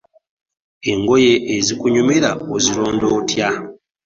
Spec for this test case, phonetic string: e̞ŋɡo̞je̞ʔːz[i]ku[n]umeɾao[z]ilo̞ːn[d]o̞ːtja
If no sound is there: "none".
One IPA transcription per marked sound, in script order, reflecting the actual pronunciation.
i, ɲ, z, d

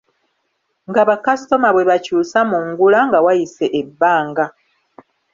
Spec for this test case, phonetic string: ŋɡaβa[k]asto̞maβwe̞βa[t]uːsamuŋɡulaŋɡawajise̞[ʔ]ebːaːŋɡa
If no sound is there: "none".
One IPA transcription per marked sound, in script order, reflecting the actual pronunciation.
k, c, ʔ

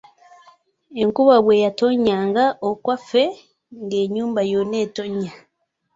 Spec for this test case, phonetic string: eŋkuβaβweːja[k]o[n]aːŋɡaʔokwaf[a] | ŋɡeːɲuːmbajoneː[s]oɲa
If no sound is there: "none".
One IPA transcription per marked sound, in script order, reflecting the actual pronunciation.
t, ɲ, e, t

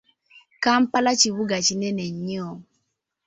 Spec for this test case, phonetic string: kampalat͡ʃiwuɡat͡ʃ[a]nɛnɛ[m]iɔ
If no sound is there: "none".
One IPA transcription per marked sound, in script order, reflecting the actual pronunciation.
i, ɲ

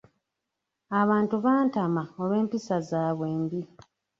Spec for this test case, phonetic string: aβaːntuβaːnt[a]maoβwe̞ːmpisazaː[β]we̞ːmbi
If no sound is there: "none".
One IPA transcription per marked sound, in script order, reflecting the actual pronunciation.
a, β

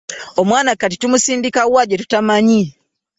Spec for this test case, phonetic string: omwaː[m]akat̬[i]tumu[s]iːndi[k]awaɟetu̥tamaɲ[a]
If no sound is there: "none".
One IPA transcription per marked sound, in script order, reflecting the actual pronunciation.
n, i, s, k, i

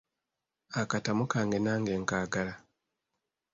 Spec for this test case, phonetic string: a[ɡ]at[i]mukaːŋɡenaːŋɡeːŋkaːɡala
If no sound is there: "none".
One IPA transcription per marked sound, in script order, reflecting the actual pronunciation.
k, a

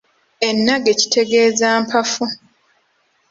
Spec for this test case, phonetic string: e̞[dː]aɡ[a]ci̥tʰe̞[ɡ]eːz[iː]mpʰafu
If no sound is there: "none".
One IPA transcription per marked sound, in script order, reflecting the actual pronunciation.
nː, e, ɡ, aː

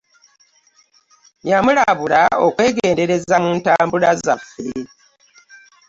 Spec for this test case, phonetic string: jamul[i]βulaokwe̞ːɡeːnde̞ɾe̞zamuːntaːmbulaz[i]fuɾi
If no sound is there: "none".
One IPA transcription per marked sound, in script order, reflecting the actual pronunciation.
a, a

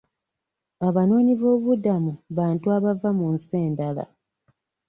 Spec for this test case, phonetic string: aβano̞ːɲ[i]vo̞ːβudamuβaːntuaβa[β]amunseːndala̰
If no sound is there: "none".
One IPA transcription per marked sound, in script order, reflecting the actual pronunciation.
i, v

